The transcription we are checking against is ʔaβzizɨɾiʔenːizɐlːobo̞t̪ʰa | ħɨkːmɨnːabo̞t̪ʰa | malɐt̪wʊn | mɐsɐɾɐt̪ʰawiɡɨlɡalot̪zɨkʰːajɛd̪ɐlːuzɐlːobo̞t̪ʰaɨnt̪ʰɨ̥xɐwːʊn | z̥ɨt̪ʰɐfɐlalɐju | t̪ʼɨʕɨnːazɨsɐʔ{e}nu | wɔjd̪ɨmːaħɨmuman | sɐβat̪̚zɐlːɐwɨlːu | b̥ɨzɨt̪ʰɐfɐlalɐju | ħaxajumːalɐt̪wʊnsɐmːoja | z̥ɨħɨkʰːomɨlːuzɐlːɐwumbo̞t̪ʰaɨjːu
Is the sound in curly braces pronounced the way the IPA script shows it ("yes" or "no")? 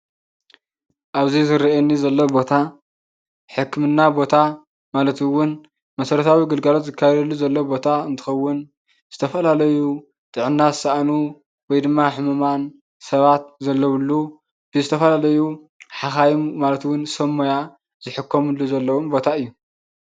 no